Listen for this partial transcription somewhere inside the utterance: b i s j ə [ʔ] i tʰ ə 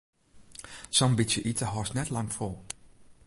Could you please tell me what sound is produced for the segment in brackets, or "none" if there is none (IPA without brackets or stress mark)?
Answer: ʔ